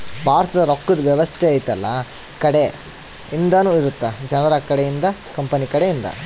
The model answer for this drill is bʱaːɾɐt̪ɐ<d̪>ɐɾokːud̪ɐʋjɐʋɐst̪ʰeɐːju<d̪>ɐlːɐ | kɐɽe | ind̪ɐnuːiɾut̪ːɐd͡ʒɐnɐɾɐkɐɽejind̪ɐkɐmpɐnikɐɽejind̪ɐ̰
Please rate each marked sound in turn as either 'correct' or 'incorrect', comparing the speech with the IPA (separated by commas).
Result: correct, incorrect